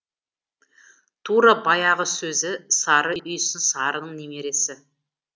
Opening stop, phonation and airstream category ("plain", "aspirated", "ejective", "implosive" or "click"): aspirated